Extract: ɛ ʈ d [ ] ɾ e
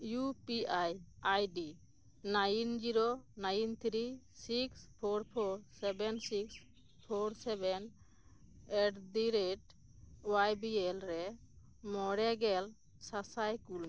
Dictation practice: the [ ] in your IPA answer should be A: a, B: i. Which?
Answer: B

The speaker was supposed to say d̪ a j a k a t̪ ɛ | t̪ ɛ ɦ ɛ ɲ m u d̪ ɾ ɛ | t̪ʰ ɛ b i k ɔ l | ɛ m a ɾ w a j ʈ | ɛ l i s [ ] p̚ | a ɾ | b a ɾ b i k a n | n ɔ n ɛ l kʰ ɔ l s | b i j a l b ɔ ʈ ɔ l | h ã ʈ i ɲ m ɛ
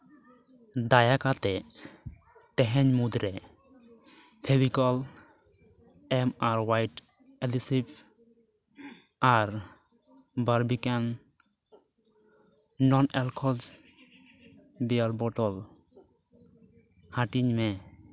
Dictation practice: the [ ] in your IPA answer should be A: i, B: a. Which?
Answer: A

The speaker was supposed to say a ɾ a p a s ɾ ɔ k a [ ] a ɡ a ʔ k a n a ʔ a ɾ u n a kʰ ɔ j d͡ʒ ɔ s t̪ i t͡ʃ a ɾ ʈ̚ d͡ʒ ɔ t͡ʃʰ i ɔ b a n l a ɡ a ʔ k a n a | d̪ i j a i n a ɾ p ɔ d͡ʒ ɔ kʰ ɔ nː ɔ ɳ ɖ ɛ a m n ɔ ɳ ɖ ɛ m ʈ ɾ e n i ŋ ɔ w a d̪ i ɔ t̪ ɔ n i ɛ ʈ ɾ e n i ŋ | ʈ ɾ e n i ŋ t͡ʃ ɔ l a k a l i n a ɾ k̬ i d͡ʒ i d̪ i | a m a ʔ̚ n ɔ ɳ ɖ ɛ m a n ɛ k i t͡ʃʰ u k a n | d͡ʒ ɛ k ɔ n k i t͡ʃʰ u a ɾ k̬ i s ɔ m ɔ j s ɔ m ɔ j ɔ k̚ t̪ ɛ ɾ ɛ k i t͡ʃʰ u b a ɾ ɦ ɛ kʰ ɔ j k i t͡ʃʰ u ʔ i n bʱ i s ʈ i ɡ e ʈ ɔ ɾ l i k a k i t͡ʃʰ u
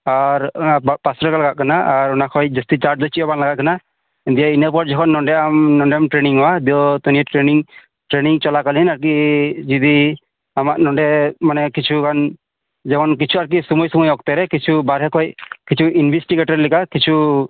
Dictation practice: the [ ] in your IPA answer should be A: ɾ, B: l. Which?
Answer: B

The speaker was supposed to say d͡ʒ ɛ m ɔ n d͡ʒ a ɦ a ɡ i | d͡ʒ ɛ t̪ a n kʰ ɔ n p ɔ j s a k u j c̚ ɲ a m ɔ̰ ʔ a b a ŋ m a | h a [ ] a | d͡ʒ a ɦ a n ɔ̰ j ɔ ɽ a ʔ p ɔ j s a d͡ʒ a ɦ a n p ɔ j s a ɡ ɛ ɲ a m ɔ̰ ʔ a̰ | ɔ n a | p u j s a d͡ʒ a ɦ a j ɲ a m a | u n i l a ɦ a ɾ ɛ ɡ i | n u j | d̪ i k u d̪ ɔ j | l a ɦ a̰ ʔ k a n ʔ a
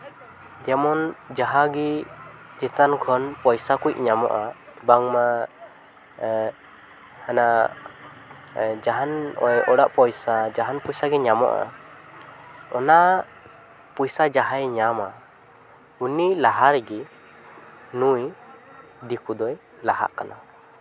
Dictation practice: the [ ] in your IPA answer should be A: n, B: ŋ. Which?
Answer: A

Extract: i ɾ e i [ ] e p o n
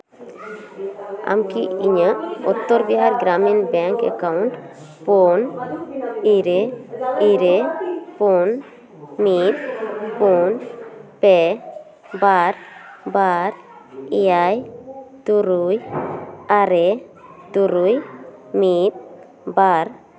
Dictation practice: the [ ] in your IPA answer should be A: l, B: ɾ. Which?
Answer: B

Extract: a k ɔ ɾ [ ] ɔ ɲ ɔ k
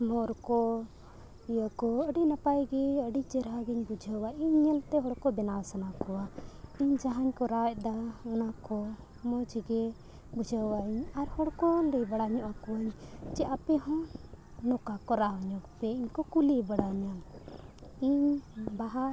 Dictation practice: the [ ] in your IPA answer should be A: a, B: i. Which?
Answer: A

